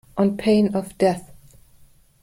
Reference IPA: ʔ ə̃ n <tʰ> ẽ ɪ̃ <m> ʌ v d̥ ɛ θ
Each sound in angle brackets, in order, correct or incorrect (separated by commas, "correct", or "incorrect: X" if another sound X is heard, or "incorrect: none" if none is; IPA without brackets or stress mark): incorrect: pʰ, incorrect: n